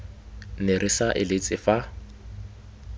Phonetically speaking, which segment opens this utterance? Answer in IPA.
n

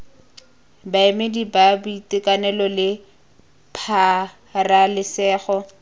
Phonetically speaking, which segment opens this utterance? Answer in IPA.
b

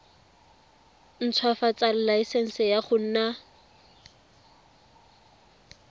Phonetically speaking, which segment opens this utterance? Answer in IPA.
n̩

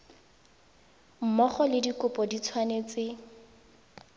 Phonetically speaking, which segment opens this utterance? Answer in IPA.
m̩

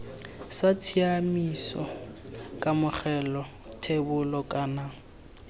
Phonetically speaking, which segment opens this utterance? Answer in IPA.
s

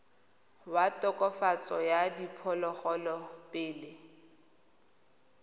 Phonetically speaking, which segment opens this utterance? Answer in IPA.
w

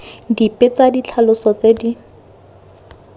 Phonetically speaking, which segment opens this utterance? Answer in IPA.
d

